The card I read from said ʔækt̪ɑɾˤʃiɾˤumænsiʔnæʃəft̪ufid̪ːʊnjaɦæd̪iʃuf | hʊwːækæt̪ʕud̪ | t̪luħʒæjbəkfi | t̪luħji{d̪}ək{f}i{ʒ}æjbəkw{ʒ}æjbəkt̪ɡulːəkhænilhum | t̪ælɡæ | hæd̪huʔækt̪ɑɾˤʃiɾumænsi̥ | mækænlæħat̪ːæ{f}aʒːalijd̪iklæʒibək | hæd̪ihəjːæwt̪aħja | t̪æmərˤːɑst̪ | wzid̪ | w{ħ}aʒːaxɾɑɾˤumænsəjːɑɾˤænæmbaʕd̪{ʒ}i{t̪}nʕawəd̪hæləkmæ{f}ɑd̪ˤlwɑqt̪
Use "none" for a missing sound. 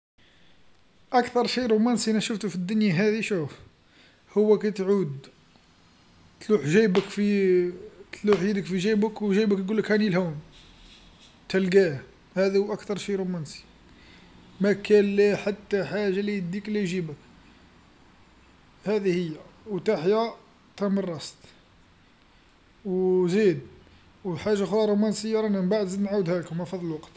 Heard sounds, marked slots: d̪, f, ʒ, ʒ, ħ, ħ, z, d̪, f

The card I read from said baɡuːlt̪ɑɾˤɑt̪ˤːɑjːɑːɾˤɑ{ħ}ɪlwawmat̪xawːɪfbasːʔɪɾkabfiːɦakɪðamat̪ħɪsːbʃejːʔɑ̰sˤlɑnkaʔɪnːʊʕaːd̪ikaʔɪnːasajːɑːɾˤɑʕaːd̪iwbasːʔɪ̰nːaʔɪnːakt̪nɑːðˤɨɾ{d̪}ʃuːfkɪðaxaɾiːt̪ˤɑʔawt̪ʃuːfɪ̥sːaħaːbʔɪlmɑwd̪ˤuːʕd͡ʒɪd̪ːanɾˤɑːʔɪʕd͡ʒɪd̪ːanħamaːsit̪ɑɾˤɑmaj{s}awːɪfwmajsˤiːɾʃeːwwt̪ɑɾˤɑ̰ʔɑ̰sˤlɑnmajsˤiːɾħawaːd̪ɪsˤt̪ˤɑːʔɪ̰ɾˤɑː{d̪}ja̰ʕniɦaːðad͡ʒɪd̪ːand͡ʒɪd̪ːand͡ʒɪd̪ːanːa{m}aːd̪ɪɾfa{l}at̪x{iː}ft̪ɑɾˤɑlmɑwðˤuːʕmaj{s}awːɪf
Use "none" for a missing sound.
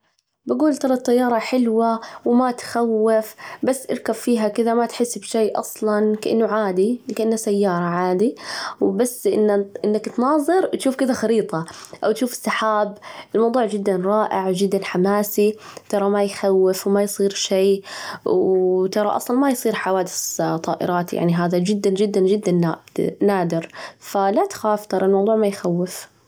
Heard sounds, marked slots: ħ, t̪, x, t̪, n, l, aː, x

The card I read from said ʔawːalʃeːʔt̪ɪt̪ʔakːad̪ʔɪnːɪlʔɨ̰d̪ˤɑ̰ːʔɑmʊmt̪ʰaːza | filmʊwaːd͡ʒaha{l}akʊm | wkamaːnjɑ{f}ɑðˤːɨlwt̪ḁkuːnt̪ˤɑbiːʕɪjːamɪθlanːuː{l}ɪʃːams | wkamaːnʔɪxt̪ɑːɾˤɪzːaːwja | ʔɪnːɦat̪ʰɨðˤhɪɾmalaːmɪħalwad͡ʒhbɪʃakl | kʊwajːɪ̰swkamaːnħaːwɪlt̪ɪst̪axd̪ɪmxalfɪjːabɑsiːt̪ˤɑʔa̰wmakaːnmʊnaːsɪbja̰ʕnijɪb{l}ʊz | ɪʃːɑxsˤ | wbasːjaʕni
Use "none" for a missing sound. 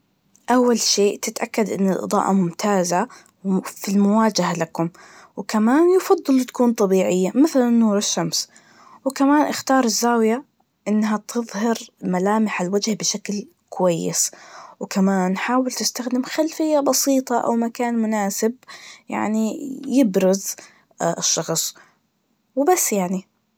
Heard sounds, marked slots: l, f, ɾ, ɾ

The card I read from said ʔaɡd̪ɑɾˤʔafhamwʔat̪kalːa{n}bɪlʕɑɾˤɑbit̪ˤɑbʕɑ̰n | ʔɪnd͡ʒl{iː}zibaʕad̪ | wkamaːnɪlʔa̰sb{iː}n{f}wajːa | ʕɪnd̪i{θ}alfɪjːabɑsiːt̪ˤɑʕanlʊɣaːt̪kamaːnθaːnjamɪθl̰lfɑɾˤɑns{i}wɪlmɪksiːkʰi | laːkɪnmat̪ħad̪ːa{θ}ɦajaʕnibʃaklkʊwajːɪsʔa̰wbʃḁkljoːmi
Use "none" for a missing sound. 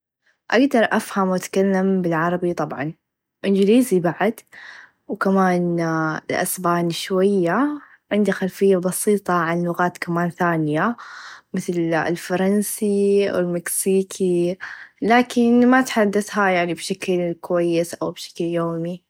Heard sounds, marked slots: m, iː, aː, ʃ, x, i, θ

